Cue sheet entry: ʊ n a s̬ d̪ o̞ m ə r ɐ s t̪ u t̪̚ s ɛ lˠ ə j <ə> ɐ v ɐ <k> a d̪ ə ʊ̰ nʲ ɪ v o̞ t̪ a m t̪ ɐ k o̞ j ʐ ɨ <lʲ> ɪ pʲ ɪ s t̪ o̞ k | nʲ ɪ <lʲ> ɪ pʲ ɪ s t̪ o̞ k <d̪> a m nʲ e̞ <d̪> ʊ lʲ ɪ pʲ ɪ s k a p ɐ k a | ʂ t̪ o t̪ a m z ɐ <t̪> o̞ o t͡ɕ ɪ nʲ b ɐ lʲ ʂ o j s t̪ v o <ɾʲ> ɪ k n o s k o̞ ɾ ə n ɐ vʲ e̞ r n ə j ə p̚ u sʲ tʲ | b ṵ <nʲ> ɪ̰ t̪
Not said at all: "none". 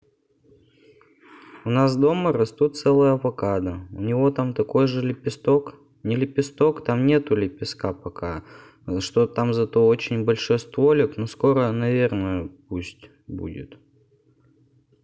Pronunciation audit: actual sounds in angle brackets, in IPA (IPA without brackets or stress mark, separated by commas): ə, k, lʲ, lʲ, t̪, t̪, t̪, lʲ, dʲ